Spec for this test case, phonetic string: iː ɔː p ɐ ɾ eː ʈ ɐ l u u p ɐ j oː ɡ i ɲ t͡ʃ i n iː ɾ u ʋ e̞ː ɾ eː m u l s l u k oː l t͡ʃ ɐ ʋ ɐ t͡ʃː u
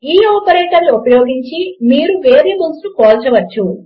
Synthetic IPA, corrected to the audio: iː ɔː p ɐ ɾ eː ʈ ɐ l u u p ɐ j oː ɡ i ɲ t͡ʃ i m iː ɾ u ʋ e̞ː ɾ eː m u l s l u k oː l t͡ʃ ɐ ʋ ɐ t͡ʃː u